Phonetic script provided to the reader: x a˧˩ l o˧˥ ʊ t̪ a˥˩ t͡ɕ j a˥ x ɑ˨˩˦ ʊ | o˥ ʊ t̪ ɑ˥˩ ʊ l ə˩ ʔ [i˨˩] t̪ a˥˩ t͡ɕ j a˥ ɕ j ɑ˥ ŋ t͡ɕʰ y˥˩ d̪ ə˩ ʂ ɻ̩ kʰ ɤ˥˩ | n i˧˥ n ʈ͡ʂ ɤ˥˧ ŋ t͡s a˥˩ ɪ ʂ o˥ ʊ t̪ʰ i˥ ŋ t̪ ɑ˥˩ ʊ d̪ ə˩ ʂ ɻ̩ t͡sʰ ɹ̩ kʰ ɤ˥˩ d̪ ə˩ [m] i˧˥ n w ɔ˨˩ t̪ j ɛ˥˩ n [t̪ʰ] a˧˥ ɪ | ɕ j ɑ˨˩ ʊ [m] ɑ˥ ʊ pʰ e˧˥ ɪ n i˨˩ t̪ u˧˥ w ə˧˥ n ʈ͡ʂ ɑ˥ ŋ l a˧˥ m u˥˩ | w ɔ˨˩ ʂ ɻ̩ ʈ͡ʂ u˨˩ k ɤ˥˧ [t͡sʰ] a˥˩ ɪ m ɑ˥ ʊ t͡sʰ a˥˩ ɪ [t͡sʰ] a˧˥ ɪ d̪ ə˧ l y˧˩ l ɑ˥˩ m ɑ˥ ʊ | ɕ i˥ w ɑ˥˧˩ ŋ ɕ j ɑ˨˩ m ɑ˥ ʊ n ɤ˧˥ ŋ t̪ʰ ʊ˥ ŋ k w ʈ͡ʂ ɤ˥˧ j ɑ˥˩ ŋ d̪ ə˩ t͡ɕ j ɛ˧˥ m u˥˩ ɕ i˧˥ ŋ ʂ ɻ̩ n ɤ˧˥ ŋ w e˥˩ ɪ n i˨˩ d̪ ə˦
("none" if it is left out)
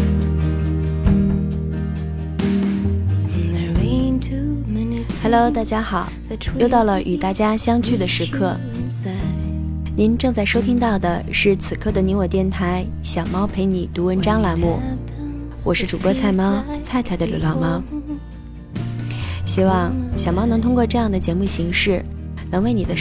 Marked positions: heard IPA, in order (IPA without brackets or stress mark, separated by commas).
y˨˩, n, t̪ʰ, m, t͡sʰ, t͡sʰ